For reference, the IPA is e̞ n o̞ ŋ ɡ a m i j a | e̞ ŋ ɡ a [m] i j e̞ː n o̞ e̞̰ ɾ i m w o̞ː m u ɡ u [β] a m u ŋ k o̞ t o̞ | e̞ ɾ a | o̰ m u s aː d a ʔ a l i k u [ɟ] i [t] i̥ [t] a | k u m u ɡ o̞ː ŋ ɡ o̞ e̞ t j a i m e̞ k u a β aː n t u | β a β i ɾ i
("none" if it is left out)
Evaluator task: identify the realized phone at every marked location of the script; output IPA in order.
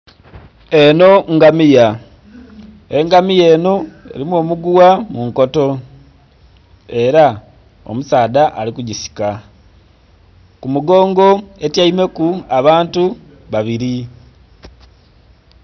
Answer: m, w, ɟ, s, k

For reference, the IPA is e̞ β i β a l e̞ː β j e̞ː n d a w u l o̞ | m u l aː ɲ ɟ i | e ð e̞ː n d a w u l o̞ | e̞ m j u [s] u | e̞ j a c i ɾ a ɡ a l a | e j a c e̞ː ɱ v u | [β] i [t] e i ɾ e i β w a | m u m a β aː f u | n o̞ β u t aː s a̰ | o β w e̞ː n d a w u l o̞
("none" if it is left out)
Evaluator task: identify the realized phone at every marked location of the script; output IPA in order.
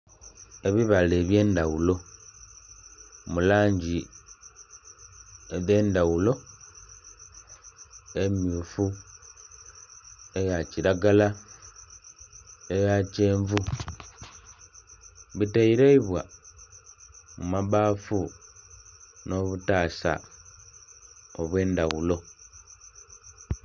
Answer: f, β, t

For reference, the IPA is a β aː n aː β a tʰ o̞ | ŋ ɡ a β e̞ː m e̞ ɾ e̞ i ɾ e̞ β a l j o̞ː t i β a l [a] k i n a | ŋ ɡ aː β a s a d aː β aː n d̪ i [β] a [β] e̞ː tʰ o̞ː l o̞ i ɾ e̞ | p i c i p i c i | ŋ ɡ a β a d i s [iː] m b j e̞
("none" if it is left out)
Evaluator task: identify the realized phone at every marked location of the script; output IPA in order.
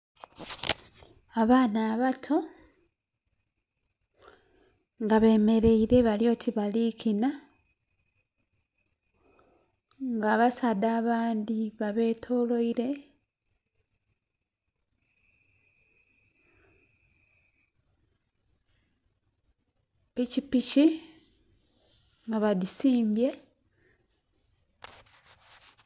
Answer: i, β, β, iː

